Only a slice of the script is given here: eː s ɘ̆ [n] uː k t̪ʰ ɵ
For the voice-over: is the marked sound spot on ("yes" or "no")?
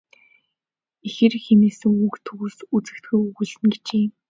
no